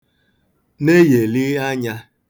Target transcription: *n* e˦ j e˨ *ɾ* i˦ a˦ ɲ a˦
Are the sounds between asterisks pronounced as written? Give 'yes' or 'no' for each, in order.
yes, no

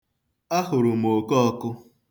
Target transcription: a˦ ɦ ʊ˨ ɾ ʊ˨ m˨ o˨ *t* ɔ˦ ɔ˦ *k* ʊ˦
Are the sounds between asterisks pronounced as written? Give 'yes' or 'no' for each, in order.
no, yes

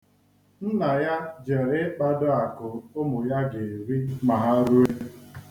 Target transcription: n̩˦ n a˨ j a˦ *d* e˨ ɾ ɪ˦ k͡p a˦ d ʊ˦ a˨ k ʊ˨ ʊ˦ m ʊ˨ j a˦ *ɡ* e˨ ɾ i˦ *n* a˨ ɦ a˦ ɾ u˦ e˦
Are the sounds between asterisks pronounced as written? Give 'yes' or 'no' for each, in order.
no, yes, no

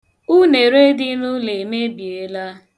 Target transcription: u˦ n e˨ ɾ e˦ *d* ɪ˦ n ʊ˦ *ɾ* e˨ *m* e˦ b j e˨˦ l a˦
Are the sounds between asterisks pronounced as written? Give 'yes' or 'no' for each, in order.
yes, no, yes

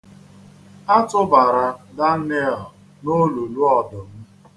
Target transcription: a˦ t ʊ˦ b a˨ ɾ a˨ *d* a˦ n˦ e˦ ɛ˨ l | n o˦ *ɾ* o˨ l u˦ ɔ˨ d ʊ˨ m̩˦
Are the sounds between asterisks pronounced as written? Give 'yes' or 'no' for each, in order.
yes, no

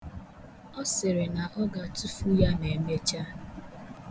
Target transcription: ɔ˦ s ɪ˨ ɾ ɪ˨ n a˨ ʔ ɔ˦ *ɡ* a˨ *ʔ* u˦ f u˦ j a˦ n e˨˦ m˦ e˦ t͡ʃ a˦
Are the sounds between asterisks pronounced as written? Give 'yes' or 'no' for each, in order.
yes, no

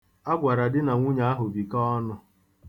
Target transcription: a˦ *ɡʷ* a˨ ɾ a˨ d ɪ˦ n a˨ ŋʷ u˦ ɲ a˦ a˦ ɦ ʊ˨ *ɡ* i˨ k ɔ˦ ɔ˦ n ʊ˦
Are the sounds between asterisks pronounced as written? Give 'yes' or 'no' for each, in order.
yes, no

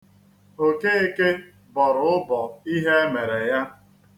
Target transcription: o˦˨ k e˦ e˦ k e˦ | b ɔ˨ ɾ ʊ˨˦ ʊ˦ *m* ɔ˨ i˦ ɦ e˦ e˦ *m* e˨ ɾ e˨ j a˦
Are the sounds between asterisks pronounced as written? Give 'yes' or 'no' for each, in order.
no, yes

